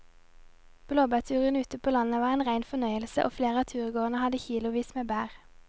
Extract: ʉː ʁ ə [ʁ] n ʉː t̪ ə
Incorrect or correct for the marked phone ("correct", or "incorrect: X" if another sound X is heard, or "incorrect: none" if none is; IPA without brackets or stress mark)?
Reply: incorrect: none